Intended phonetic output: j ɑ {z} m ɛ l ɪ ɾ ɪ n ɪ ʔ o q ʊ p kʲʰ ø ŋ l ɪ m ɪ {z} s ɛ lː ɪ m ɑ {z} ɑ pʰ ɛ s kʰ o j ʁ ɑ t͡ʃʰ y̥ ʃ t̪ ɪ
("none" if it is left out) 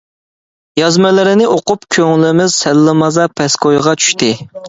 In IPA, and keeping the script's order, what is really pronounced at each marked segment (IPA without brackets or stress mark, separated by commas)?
z, z, z